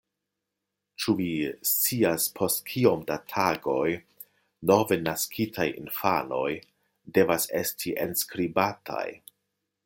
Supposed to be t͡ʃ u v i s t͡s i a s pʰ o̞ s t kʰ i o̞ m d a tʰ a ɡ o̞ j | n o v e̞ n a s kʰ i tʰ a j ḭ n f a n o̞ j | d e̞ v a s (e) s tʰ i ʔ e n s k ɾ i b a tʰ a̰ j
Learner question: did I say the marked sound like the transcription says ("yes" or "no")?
yes